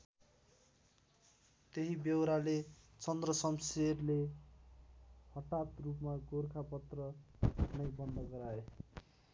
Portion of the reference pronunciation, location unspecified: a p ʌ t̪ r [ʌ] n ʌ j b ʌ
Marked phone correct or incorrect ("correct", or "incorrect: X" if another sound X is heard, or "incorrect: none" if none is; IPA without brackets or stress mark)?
correct